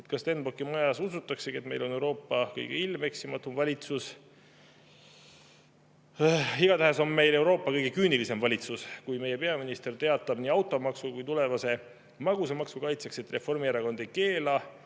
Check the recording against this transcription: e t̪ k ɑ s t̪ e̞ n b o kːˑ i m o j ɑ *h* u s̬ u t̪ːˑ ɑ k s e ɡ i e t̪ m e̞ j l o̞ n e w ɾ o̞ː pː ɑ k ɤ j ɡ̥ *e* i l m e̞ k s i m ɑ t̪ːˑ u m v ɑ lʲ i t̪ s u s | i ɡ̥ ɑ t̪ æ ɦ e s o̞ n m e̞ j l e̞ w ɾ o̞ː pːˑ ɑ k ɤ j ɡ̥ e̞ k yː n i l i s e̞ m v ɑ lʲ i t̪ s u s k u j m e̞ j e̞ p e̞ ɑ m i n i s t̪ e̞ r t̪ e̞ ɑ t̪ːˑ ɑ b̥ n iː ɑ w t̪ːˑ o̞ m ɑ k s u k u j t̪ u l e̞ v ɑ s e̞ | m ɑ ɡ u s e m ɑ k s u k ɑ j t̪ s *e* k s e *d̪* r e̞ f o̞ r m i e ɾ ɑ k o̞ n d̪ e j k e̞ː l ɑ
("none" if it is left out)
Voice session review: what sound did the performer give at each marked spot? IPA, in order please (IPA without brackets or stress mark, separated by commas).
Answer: s, e, e, t̪